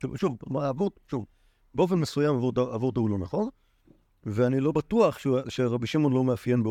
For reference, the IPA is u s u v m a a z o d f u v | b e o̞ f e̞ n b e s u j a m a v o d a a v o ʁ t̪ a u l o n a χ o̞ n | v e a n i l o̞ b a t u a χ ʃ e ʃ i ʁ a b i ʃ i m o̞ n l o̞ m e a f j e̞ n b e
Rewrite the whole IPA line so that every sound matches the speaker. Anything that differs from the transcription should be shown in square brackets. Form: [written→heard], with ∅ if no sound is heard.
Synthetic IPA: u [s→ʃ] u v m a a [z→v] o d [f→ʃ] u v | b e o̞ f e̞ n [b→m] e s u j a m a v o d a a v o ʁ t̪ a u l o n a χ o̞ n | v e a n i l o̞ b a t u a χ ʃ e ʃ [i→e] ʁ a b i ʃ i m o̞ n l o̞ m e a f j e̞ n b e